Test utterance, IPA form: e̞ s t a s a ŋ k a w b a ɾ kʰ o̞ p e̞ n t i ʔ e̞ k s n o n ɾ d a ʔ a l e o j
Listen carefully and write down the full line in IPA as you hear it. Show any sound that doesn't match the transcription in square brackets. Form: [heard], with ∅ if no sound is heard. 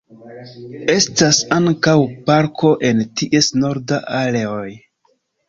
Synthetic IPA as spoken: e̞ s t a s a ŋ k a w [p] a ɾ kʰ o̞ [ʔ] e̞ n t i ʔ e̞ [∅] s n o [∅] ɾ d a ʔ a l e o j